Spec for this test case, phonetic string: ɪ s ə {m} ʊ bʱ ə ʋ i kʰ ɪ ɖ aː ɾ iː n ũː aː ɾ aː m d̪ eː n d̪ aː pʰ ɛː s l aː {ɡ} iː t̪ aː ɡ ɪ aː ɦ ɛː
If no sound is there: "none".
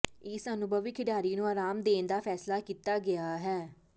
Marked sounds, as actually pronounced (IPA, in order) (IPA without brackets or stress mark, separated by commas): n, k